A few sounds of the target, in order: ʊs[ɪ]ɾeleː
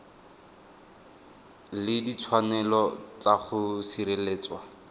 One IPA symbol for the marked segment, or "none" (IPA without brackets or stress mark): i